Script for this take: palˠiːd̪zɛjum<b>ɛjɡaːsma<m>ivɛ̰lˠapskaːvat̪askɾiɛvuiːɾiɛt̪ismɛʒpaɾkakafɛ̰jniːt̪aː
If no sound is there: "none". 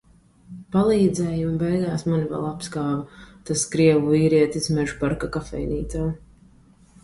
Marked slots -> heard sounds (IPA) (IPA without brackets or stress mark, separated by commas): b, n